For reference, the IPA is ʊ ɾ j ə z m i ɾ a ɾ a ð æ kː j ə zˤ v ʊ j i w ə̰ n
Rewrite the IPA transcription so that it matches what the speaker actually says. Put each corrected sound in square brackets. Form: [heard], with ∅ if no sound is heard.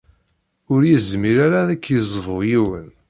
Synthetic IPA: ʊ ɾ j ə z m i ɾ a ɾ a ð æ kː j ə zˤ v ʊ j i w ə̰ n